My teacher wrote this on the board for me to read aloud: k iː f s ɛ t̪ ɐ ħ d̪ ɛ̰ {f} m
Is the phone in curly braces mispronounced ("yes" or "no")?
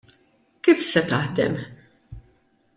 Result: yes